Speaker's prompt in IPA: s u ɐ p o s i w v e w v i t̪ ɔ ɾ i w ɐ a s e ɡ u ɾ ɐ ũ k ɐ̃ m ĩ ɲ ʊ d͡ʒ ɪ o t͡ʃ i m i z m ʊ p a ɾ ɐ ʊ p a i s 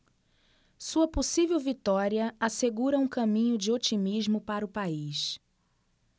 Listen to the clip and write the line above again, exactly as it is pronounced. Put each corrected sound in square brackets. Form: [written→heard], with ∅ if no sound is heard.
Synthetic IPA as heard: s u ɐ p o s i [w→∅] v e w v i t̪ ɔ ɾ i [w→∅] ɐ a s e ɡ u ɾ ɐ ũ k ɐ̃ m ĩ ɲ ʊ d͡ʒ ɪ o t͡ʃ i m i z m ʊ p a ɾ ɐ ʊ p a i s